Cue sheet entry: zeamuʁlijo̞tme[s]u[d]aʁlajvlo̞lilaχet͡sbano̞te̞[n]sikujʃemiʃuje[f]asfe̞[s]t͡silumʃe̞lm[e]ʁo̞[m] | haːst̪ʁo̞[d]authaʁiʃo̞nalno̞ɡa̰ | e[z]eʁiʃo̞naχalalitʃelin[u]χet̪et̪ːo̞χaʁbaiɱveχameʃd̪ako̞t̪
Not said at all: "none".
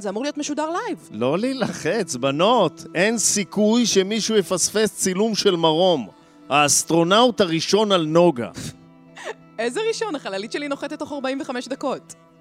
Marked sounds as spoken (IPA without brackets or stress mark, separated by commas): ʃ, d, n, f, s, a, m, n, z, o